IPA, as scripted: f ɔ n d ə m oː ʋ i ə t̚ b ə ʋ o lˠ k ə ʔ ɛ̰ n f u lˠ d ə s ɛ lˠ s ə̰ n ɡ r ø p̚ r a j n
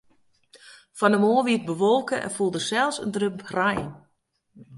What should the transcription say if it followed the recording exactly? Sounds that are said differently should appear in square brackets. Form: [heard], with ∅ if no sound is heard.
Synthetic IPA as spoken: f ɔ n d ə m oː ʋ i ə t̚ b ə ʋ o lˠ k ə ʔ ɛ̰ n f u lˠ d ə s ɛ lˠ s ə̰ n [d] r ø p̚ r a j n